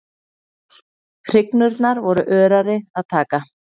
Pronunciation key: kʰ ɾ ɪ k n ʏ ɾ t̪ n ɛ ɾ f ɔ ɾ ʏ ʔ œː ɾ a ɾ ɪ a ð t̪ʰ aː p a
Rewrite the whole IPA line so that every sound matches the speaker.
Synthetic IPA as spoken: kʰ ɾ ɪ k n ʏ ɾ t̪ n a ɾ v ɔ ɾ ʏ ʔ œː ɾ a ɾ ɪ a ð t̪ʰ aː k a